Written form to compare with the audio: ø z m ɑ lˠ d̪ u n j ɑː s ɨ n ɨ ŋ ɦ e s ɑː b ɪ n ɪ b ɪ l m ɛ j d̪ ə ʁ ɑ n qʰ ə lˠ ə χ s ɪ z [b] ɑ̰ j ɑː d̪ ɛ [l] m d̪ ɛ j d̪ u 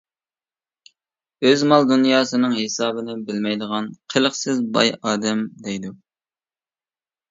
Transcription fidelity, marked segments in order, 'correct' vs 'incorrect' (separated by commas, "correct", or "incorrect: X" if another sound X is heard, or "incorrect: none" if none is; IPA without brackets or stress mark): correct, incorrect: none